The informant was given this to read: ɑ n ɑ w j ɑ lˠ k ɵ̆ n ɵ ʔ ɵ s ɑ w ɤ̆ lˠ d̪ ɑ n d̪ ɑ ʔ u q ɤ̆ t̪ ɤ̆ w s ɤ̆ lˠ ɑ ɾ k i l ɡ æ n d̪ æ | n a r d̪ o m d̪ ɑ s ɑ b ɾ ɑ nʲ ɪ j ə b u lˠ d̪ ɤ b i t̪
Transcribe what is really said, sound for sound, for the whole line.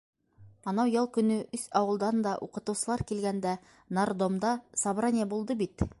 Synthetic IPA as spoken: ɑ n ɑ w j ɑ lˠ k ɵ̆ n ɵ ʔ ɵ s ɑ w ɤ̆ lˠ d̪ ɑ n d̪ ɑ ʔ u q ɤ̆ t̪ ɤ̆ w s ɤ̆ lˠ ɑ ɾ k i l ɡ æ n d̪ æ | n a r d̪ o m d̪ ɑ s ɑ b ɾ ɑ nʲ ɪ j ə b u lˠ d̪ ɤ b i t̪